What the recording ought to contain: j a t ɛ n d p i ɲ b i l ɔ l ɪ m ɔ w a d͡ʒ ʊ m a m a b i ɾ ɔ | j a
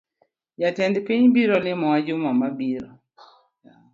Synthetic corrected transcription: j a t ɛ n d p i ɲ b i ɾ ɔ l ɪ m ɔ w a d͡ʒ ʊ m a m a b i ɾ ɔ | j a